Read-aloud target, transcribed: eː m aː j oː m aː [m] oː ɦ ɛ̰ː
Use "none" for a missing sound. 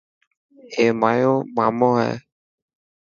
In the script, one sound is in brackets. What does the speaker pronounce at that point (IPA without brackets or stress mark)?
m